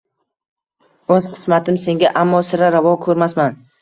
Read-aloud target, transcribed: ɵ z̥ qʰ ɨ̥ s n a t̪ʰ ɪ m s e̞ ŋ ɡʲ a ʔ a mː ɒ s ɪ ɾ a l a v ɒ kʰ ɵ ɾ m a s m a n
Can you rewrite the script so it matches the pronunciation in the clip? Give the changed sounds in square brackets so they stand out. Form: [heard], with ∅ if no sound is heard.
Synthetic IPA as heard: ɵ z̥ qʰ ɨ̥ s [m] a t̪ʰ ɪ m s e̞ ŋ ɡʲ a ʔ a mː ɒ s ɪ ɾ a [ɾ] a v ɒ kʰ ɵ ɾ m a s m a n

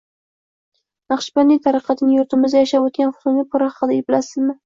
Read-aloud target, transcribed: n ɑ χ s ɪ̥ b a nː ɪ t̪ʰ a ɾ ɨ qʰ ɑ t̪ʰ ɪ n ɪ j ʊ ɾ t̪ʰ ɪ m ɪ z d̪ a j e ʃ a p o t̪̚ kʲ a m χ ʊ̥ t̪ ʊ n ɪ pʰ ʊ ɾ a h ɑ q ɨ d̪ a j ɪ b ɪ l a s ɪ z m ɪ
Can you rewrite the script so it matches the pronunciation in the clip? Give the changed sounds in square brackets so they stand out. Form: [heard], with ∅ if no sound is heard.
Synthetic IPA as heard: n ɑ χ [ʃ] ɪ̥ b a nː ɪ t̪ʰ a ɾ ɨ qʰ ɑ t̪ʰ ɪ n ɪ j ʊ ɾ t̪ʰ ɪ m ɪ z d̪ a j [a] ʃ a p o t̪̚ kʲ a [n] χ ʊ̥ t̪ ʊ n ɪ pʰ ʊ ɾ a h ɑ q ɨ d̪ a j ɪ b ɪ l a s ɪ z m ɪ

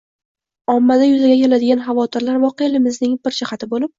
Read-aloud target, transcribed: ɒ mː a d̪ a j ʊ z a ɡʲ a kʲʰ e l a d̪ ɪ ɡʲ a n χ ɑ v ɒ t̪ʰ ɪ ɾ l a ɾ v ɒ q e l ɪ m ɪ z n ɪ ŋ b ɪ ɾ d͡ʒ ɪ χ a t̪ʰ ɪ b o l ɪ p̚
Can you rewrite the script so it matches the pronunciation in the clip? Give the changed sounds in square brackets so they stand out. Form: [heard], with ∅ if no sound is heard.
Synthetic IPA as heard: ɒ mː a d̪ a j ʊ z a ɡʲ a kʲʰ e l a d̪ ɪ ɡʲ a n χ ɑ v ɒ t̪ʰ ɪ ɾ l a ɾ v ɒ q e l ɪ m ɪ z n ɪ ŋ b ɪ ɾ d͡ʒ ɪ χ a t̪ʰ ɪ b o l ɪ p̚

